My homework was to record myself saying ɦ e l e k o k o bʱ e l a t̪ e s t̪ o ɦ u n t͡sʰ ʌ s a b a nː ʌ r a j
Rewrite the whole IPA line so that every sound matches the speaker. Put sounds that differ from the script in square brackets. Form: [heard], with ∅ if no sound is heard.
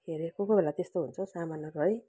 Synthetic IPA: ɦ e [ɾ] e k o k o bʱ e l a t̪ e s t̪ o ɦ u n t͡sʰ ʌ s a [m] a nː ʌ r [ʌ] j